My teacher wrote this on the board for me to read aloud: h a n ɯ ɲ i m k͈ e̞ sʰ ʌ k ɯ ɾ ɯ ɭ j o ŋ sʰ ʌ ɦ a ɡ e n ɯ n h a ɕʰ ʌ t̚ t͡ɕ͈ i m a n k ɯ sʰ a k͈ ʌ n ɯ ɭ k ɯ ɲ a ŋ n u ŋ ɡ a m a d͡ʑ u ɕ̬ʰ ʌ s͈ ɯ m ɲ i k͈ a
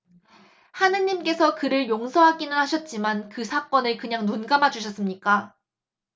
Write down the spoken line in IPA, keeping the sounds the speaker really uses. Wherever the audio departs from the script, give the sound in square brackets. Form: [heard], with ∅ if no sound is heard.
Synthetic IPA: h a n ɯ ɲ i m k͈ e̞ sʰ ʌ k ɯ ɾ ɯ ɭ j o ŋ sʰ ʌ ɦ a ɡ [i] n ɯ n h a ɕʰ ʌ t̚ t͡ɕ͈ i m a n k ɯ sʰ a k͈ ʌ n ɯ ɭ k ɯ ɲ a ŋ n u [n] ɡ a m a d͡ʑ u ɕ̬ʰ ʌ s͈ ɯ m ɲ i k͈ a